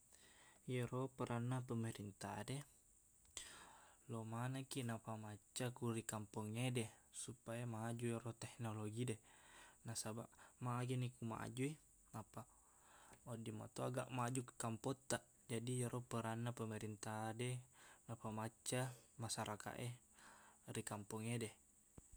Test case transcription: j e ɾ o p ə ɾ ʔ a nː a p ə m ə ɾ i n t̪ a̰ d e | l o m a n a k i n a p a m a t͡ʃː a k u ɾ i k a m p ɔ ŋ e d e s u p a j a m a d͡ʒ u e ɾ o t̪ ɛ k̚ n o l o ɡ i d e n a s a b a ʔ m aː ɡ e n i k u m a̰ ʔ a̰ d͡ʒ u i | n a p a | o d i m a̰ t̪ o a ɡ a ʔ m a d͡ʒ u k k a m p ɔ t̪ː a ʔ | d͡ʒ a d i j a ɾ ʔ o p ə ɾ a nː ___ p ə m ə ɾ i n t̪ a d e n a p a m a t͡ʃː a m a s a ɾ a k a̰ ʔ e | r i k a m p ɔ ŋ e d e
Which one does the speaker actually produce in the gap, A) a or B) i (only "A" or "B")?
A